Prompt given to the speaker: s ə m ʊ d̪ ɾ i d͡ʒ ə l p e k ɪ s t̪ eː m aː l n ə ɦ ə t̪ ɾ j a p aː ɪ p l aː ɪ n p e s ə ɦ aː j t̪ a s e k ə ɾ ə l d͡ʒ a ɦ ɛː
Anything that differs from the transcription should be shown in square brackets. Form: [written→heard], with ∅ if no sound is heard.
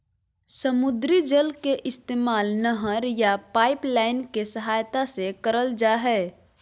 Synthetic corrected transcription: s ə m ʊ d̪ ɾ i d͡ʒ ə l [p→k] e [k→ʔ] ɪ s t̪ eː m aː l n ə ɦ ə [t̪→∅] ɾ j a p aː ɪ p l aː ɪ n [p→k] e s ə ɦ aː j t̪ a s e k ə ɾ ə l d͡ʒ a ɦ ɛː

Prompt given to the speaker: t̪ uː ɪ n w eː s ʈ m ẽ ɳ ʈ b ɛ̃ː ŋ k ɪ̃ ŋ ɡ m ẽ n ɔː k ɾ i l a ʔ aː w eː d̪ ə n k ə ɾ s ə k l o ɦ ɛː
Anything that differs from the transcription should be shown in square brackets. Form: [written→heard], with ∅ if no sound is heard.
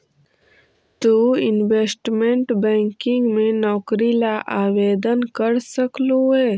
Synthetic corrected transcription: t̪ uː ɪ n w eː s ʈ m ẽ ɳ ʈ b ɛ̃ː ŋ k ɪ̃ ŋ ɡ m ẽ n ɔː k ɾ i l a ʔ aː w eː d̪ ə n k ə ɾ s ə k l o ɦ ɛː

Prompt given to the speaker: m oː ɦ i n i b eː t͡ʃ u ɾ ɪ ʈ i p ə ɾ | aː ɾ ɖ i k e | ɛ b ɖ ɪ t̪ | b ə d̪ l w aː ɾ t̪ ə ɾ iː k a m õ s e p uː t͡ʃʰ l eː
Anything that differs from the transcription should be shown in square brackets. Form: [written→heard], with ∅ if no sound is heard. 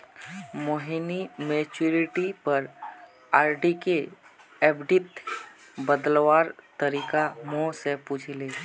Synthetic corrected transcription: m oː ɦ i n i [b→m] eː t͡ʃ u ɾ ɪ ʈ i p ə ɾ | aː ɾ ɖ i k e | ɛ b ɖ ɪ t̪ | b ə d̪ l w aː ɾ t̪ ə ɾ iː k a m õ s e p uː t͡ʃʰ l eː

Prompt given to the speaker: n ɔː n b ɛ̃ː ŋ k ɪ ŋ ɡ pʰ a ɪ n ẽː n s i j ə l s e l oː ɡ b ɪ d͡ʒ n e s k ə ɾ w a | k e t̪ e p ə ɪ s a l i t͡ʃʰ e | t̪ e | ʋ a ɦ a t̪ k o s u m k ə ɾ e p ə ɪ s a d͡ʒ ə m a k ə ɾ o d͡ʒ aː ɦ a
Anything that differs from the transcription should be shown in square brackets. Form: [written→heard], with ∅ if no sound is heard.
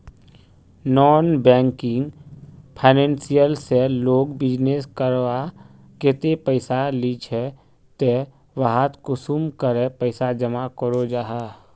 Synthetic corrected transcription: n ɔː n b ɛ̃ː ŋ k ɪ ŋ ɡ pʰ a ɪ n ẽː n s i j ə l s e l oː ɡ b ɪ d͡ʒ n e s k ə ɾ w a | k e t̪ e p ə ɪ s a l i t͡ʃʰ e | t̪ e | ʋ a ɦ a t̪ k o s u m k ə ɾ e p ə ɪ s a d͡ʒ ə m a k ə ɾ o d͡ʒ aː ɦ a

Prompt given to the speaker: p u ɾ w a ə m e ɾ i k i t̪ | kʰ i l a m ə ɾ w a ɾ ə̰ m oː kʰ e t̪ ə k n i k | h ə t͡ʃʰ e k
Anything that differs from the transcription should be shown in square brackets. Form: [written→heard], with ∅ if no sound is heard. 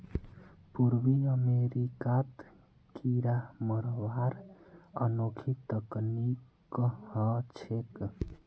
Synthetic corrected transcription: p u ɾ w [a→i] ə m e ɾ i k [i→a] t̪ | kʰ i [l→ɾ] a m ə ɾ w a ɾ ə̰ [m→n] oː kʰ [e→i] t̪ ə k n i k | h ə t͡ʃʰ e k

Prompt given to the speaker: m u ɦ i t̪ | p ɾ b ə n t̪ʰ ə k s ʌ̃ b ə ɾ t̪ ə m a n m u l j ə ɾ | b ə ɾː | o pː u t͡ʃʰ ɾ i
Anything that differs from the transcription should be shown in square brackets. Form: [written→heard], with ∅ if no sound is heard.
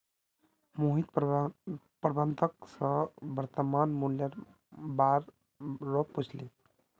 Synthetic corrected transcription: m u ɦ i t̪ | p ɾ b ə n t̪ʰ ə k s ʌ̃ b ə ɾ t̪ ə m a n m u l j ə ɾ | b [ə→a] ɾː | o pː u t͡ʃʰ [ɾ→l] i

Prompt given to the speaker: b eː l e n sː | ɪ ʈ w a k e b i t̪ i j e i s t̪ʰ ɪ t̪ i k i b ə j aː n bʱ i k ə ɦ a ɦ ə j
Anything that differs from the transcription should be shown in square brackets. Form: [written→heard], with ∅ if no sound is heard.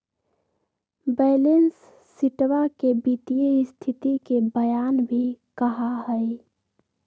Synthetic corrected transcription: b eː l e n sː | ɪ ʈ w a k e b i t̪ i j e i s t̪ʰ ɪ t̪ i k [i→e] b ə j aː n bʱ i k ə ɦ a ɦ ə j

